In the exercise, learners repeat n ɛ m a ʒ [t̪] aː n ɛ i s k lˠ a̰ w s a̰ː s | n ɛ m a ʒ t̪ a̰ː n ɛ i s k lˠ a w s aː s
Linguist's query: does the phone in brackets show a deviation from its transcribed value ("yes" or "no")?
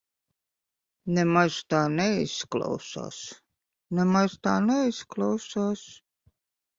no